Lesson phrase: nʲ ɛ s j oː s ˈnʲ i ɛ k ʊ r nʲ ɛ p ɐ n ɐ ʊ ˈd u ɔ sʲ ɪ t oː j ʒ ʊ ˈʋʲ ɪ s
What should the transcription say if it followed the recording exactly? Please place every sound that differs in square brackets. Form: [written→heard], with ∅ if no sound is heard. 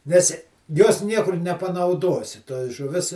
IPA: nʲ ɛ s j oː s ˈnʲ i ɛ k ʊ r nʲ ɛ p ɐ n ɐ ʊ ˈd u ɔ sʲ ɪ t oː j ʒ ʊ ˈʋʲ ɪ s